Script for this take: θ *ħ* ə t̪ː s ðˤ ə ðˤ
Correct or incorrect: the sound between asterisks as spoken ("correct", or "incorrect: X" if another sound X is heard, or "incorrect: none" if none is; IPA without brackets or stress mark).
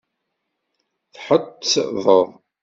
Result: correct